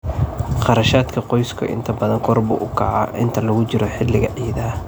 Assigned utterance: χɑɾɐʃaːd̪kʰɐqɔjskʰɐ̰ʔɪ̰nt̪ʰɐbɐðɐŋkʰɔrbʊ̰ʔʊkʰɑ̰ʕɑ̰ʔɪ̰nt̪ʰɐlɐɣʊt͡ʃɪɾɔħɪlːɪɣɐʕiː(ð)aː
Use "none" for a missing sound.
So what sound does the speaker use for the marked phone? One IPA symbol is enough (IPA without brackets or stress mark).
ð